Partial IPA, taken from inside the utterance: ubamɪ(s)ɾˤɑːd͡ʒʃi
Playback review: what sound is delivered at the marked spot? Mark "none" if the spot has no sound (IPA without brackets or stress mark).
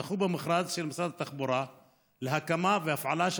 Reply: x